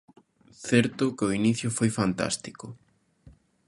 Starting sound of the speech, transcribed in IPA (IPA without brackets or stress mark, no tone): θ